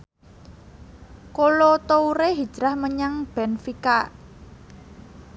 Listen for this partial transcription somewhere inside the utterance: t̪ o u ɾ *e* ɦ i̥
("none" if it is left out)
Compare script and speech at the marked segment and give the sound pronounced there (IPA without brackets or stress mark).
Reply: e